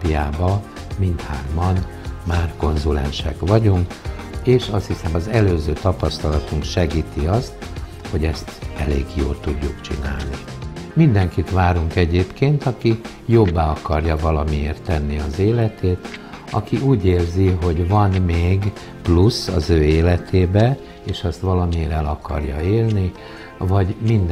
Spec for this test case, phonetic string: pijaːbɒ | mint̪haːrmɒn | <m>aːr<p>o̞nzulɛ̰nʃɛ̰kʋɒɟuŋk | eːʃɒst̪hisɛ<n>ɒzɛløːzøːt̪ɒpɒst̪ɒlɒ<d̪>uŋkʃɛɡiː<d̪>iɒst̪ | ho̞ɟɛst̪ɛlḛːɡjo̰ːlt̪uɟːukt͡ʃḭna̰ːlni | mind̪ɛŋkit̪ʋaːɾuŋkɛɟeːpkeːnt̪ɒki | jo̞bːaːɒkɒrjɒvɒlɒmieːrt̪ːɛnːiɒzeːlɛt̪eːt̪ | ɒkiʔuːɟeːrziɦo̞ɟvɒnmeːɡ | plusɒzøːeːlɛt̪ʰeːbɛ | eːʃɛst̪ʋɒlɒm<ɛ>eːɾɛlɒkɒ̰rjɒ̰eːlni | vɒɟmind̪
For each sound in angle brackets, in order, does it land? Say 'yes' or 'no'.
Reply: yes, no, no, no, no, no

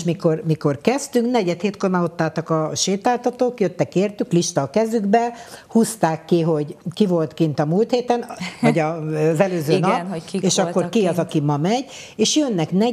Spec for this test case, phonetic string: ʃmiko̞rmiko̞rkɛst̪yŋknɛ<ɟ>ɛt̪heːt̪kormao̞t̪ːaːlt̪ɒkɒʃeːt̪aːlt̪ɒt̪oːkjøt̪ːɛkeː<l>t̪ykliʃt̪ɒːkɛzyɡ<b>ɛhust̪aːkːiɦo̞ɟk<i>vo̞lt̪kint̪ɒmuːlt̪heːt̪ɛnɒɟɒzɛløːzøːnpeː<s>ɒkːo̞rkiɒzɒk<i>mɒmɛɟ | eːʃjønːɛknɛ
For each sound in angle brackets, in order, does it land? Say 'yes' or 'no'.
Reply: yes, no, yes, yes, no, yes

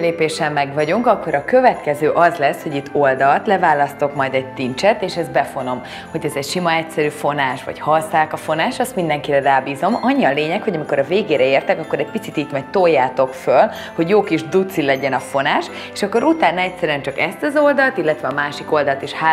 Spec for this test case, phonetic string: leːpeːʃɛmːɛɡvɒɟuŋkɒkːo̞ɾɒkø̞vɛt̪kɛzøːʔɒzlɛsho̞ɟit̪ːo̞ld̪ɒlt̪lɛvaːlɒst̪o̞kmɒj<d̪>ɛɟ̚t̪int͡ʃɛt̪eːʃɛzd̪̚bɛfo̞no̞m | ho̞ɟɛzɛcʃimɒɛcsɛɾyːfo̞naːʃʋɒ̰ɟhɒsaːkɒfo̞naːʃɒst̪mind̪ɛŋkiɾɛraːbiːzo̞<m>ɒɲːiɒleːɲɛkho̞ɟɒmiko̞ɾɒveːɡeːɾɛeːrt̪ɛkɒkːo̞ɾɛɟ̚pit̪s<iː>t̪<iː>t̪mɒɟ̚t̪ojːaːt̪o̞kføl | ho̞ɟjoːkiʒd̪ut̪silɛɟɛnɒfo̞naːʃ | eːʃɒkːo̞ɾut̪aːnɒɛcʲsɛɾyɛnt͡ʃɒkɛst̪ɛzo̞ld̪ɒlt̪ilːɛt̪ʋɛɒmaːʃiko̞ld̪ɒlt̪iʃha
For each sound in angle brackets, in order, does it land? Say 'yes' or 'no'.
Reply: yes, yes, no, yes

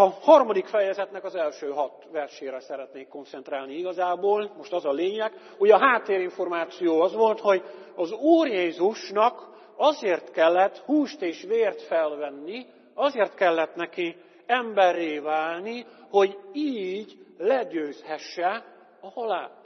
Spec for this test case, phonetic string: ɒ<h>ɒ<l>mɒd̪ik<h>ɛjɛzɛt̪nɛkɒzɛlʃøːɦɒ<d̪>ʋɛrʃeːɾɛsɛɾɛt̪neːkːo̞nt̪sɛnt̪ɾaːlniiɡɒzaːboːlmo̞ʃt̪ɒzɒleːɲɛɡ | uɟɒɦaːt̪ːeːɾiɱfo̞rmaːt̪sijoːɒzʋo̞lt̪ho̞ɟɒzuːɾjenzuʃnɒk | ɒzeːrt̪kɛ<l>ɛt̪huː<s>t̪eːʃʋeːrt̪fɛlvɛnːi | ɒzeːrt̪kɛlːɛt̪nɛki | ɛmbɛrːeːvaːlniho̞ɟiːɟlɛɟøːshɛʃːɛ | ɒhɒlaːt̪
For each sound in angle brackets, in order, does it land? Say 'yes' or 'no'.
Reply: yes, no, no, no, no, no

